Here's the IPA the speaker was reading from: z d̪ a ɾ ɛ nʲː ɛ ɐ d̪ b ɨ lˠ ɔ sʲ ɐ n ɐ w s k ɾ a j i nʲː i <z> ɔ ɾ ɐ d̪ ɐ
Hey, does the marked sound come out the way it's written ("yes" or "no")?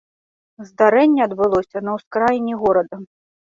no